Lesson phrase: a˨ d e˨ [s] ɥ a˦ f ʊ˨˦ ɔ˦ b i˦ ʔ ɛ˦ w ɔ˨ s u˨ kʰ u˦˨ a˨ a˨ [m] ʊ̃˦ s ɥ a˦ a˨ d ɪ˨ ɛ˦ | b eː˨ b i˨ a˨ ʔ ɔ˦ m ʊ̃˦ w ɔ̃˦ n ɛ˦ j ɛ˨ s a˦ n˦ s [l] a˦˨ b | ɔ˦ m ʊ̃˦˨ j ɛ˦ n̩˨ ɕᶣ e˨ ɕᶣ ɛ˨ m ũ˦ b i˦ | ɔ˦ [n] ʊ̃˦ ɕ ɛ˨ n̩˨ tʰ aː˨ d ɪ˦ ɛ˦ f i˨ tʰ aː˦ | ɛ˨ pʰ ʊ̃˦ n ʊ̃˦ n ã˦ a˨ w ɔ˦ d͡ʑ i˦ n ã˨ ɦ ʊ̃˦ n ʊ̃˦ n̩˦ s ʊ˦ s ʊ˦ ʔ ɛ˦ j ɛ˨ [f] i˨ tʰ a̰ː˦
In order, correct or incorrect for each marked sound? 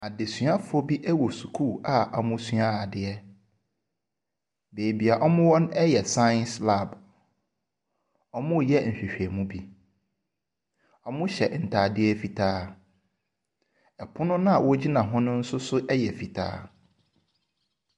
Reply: correct, correct, correct, incorrect: m, correct

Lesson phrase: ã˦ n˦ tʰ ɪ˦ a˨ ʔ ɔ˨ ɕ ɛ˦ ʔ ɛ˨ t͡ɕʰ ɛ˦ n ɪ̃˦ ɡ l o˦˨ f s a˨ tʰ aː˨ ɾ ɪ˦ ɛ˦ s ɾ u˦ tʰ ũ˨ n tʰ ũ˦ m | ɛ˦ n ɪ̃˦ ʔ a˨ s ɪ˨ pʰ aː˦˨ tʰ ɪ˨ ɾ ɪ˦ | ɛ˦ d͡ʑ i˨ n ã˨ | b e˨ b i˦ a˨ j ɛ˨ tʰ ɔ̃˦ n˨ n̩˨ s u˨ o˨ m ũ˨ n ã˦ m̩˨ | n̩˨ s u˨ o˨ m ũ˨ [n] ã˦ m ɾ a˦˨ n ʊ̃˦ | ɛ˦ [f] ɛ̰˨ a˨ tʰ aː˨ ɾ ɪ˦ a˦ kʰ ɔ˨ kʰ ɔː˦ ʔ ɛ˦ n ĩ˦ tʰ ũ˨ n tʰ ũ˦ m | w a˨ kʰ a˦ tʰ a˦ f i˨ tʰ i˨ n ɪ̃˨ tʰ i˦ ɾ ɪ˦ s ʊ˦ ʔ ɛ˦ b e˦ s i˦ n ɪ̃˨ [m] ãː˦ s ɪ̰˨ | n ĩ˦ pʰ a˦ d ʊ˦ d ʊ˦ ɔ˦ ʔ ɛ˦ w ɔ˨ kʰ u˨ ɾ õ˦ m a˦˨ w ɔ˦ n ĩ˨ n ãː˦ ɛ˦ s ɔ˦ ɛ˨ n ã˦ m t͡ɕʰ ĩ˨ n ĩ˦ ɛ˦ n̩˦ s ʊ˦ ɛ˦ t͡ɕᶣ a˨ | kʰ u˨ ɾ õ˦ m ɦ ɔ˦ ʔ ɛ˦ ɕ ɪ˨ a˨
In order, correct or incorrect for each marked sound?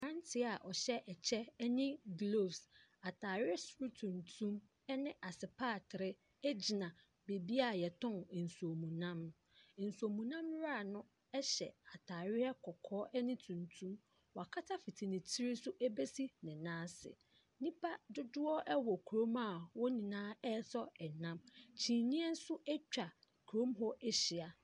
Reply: correct, incorrect: ɕ, incorrect: n

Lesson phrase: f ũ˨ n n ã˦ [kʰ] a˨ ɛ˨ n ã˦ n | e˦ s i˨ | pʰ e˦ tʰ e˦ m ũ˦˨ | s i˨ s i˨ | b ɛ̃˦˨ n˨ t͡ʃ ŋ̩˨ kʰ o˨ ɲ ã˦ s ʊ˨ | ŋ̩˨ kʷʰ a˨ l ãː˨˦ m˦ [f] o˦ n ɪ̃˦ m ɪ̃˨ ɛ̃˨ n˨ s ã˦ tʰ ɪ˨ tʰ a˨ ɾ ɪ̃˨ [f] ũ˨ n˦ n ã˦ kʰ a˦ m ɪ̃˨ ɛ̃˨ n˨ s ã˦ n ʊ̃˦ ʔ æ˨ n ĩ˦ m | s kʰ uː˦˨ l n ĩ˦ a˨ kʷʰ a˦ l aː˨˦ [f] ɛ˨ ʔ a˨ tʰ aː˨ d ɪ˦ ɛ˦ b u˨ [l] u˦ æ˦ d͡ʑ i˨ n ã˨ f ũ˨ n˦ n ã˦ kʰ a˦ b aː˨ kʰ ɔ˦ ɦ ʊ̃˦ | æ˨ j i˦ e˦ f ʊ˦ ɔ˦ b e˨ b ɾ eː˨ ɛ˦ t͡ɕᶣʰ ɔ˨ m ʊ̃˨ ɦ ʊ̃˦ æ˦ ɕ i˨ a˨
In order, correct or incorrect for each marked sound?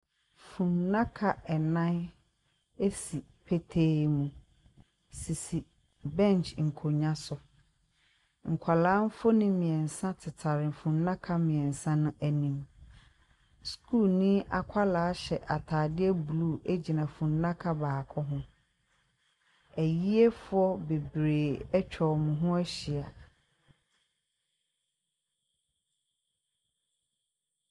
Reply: correct, correct, correct, incorrect: ɕ, correct

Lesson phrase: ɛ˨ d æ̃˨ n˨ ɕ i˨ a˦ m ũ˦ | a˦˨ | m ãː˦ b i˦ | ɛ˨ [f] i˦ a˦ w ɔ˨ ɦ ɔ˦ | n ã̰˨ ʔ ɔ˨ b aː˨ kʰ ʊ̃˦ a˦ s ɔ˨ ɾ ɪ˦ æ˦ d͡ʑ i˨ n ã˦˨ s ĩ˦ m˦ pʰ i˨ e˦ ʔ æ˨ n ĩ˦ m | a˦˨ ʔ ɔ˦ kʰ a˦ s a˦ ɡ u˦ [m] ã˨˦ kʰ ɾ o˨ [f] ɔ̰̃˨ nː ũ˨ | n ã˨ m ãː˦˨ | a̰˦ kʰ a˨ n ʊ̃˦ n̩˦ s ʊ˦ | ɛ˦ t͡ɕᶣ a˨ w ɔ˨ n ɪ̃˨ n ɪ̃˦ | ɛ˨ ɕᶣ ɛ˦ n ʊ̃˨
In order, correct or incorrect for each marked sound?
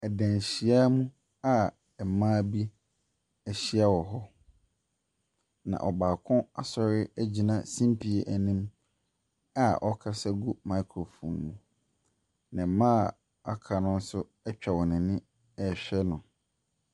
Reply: incorrect: ɕ, correct, correct

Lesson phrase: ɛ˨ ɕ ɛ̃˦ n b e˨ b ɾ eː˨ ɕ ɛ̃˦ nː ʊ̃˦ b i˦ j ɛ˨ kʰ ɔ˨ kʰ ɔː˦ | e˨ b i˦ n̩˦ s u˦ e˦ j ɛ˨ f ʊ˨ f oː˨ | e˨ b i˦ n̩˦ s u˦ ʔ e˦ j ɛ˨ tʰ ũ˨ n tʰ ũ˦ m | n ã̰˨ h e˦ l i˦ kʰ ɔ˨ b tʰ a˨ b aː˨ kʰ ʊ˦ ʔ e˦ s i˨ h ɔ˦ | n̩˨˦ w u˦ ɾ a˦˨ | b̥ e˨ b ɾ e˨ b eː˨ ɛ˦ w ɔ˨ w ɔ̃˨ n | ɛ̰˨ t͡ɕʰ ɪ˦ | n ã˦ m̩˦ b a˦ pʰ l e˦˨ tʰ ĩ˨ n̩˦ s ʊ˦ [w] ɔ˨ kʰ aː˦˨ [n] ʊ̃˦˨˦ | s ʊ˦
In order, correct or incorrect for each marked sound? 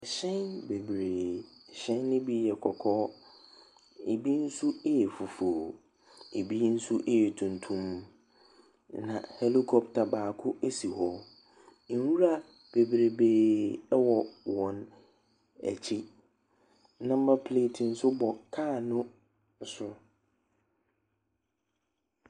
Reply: incorrect: b, correct

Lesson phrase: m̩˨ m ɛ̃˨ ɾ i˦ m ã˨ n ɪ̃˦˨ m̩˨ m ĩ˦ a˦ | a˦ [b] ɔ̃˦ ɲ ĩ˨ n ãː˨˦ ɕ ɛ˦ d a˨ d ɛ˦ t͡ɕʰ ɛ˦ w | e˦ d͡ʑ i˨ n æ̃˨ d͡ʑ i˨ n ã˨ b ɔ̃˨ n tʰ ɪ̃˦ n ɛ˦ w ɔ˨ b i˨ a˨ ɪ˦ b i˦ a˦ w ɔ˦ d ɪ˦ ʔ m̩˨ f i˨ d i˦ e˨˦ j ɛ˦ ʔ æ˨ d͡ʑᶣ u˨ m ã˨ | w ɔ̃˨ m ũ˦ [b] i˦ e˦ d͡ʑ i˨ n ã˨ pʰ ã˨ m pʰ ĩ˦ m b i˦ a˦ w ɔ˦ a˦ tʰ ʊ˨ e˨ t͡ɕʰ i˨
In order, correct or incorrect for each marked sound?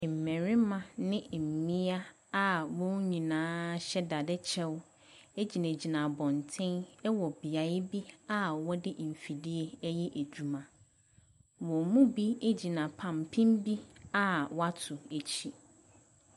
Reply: incorrect: w, correct

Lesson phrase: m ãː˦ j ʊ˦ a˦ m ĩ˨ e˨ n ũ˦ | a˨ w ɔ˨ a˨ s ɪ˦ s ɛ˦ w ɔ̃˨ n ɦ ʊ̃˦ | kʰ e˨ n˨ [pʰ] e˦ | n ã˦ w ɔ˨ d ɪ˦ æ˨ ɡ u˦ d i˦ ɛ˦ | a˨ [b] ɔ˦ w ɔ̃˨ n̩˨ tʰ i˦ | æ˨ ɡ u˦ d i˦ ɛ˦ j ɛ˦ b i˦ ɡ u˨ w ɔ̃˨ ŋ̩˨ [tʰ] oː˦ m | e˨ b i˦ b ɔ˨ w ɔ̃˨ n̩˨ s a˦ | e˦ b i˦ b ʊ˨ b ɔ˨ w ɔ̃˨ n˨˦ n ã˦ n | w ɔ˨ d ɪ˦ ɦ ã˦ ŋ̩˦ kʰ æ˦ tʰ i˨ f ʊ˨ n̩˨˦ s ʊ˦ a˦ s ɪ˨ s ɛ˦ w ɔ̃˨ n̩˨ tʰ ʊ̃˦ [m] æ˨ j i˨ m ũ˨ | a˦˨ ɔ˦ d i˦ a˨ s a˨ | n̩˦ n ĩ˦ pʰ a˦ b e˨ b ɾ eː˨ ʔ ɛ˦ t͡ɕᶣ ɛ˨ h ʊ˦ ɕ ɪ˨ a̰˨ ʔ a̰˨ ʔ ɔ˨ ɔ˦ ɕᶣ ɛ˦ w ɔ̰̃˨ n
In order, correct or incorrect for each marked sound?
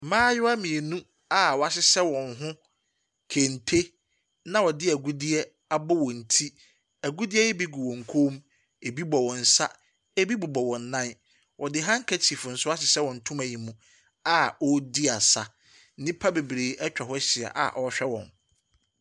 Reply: incorrect: tʰ, correct, incorrect: kʰ, correct

